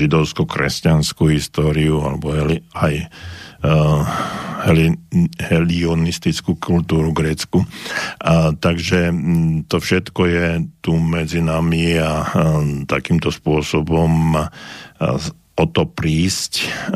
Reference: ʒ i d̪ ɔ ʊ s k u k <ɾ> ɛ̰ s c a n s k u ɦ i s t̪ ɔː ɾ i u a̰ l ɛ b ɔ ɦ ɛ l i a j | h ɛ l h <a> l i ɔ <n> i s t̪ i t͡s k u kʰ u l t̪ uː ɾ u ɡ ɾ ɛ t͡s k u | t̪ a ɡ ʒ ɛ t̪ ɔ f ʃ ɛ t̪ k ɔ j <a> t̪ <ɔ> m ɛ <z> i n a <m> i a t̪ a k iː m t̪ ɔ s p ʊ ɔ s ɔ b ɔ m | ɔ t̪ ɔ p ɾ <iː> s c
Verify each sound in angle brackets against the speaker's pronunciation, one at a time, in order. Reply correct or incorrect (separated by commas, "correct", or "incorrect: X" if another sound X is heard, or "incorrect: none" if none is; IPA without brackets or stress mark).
correct, incorrect: ɛ, correct, incorrect: ɛ, incorrect: u, incorrect: d͡z, correct, correct